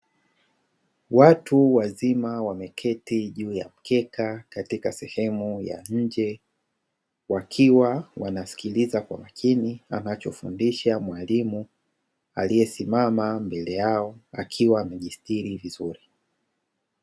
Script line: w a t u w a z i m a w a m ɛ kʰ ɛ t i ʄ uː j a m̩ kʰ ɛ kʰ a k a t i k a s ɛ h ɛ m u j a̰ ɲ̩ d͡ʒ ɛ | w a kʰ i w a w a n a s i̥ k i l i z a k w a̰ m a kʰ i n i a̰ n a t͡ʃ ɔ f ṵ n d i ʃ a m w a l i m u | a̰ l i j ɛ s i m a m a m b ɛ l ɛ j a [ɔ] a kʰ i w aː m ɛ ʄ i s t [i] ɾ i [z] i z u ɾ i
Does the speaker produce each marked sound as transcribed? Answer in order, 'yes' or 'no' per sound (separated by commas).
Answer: yes, yes, no